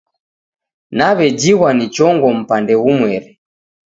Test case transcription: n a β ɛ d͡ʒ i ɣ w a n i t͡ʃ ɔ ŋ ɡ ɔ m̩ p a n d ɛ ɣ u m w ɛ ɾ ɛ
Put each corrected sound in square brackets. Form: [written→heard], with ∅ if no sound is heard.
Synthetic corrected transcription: n a β ɛ d͡ʒ i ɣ w a n i t͡ʃ ɔ ŋ ɡ ɔ m̩ p a n d ɛ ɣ u m w ɛ ɾ ɛ